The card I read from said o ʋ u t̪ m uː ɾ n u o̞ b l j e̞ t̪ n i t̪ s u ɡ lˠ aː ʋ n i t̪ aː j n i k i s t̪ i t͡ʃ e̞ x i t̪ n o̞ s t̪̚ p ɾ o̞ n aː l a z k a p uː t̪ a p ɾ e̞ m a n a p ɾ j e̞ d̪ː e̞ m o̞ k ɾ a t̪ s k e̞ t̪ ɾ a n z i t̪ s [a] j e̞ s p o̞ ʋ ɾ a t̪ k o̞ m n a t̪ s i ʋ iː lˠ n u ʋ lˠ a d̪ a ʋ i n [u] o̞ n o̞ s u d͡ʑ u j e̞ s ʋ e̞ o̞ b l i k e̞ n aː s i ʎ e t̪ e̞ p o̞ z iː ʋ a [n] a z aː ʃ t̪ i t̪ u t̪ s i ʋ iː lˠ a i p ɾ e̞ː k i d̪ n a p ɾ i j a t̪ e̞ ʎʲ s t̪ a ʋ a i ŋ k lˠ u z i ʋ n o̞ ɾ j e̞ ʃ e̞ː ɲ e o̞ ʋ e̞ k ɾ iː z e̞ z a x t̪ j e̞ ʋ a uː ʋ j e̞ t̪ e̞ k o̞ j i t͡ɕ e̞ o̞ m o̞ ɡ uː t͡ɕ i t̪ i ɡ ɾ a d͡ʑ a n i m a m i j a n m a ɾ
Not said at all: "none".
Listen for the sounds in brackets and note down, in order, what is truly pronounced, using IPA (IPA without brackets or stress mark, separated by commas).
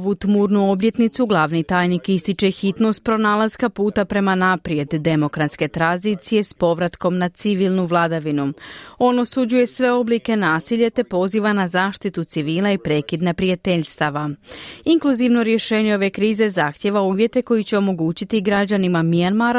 i, u, n